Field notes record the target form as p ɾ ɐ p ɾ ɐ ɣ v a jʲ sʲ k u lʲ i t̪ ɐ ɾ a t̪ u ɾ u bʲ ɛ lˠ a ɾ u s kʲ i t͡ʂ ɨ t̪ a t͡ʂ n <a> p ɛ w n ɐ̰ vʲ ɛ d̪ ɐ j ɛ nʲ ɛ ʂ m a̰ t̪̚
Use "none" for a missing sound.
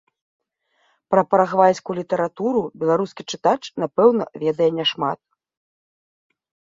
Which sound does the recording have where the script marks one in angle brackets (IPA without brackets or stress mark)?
a